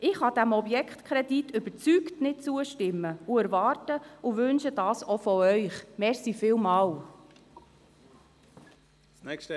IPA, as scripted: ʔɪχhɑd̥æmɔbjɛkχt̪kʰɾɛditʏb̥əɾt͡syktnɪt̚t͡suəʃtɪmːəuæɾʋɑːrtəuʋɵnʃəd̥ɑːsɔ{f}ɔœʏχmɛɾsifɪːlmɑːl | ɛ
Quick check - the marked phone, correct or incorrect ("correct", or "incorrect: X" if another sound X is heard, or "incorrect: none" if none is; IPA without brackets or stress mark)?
correct